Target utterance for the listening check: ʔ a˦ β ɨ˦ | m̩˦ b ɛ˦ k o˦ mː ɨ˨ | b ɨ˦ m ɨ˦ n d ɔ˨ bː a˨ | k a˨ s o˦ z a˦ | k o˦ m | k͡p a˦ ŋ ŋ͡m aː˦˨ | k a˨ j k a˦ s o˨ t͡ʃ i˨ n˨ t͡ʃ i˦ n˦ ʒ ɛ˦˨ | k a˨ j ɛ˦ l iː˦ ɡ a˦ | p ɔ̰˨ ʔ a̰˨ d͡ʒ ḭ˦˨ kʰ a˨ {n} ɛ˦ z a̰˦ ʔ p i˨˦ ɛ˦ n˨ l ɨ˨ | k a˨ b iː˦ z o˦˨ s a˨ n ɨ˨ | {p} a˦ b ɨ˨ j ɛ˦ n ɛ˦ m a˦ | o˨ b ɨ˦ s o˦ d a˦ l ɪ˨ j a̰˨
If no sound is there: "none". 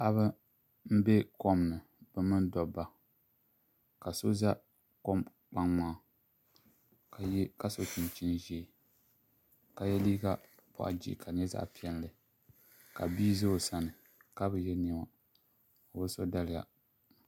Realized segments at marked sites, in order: ɲ, k

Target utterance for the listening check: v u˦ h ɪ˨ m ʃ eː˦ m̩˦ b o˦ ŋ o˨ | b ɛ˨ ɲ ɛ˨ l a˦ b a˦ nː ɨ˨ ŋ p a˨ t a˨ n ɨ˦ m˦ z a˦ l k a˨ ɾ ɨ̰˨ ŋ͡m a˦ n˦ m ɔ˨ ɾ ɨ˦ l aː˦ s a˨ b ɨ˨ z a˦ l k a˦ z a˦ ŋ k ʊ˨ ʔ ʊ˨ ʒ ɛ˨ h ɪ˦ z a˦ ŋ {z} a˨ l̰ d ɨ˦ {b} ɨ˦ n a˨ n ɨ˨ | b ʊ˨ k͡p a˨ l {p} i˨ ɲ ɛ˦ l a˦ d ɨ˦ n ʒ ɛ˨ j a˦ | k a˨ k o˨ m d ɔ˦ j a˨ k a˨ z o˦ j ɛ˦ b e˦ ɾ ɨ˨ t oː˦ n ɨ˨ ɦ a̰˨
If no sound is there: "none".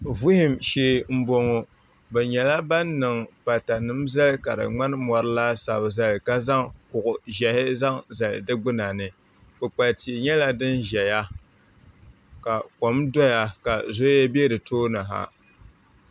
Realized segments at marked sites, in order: z, ɡ͡b, t

